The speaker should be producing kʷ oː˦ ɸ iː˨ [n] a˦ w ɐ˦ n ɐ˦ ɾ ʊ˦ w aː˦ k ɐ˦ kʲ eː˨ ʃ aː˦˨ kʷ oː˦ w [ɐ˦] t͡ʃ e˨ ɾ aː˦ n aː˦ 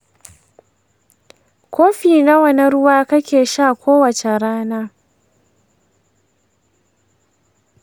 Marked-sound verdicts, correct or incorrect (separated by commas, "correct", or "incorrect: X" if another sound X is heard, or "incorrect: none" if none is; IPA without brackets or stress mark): correct, incorrect: ɐ˨